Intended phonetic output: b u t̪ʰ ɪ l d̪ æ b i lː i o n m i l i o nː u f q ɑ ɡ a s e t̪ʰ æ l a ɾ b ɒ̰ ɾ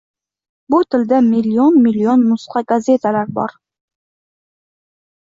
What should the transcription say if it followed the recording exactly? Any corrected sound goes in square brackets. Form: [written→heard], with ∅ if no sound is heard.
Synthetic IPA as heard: b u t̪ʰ ɪ l d̪ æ [b→m] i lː i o n m i l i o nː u [f→s] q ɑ ɡ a [s→z] e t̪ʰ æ l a ɾ b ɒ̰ ɾ